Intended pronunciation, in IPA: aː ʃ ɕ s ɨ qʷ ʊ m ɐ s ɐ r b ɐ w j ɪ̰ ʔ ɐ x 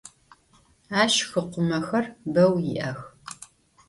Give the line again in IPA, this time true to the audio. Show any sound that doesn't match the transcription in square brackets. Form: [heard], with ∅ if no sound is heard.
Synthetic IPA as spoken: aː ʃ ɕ [x] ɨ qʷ ʊ m ɐ [x] ɐ r b ɐ w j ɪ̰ ʔ ɐ x